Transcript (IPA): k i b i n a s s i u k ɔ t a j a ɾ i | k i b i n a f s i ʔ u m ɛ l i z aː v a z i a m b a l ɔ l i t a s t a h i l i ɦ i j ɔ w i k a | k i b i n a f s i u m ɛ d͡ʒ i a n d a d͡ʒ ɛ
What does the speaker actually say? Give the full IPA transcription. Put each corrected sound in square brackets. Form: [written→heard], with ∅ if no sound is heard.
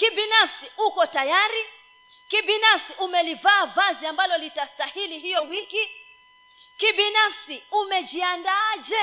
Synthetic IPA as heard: k i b i n a [s→f] s i u k ɔ t a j a ɾ i | k i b i n a f s i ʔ u m ɛ l i [z→v] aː v a z i a m b a l ɔ l i t a s t a h i l i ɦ i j ɔ w i k [a→i] | k i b i n a f s i u m ɛ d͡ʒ i a n d a d͡ʒ ɛ